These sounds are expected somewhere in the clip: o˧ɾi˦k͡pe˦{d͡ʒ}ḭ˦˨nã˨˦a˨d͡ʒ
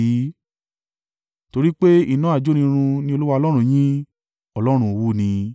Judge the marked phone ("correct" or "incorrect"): incorrect